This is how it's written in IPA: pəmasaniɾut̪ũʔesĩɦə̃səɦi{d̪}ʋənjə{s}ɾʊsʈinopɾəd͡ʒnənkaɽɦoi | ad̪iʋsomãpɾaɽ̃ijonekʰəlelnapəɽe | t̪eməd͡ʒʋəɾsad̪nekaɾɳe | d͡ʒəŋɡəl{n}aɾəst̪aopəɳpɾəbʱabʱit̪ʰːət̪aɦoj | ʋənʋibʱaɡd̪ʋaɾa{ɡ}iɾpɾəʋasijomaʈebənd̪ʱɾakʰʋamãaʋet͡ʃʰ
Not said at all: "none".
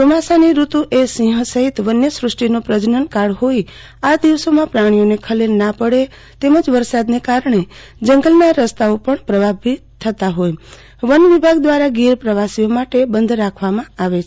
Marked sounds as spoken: t̪, s, n, ɡ

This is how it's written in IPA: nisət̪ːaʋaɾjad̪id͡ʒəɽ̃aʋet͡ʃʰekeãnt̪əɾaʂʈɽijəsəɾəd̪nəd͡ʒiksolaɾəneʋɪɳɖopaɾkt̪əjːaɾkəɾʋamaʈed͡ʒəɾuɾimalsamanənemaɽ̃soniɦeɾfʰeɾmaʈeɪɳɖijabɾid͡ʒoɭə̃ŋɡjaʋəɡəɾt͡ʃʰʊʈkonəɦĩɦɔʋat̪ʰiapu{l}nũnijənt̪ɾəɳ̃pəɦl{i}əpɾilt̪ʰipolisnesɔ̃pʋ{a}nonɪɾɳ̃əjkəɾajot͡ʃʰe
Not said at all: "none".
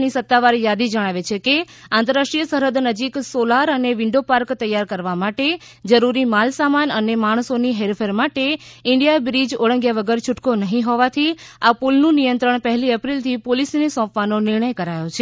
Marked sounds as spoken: l, i, a

